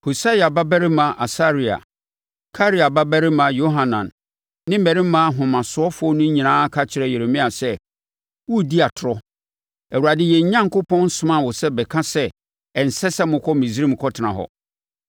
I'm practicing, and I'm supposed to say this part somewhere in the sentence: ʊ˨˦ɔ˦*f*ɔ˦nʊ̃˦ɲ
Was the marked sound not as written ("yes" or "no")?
no